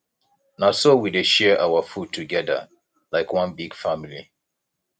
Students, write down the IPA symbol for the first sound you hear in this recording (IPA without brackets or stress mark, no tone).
n